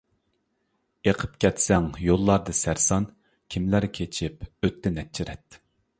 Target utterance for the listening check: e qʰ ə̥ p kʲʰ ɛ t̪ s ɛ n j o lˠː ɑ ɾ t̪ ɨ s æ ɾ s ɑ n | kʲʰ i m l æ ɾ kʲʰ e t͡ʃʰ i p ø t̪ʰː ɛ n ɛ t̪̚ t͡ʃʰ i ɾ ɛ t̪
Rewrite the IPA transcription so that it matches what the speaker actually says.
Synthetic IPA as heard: e qʰ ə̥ p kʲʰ ɛ t̪ s ɛ ŋ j o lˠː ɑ ɾ d̪ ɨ s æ ɾ s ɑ n | kʲʰ i m l æ ɾ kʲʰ e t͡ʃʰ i p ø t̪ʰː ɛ n ɛ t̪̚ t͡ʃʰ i ɾ ɛ t̪